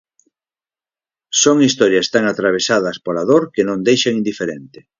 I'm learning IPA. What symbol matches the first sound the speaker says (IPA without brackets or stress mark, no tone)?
s